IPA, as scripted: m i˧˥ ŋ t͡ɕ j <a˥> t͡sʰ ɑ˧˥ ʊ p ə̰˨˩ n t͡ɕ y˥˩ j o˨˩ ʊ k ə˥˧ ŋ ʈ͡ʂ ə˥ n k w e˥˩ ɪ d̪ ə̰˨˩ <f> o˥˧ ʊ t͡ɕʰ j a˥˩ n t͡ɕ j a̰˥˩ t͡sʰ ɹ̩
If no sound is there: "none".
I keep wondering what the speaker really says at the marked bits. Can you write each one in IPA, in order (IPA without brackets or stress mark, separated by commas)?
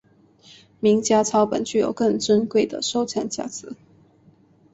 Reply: a˥, ʂ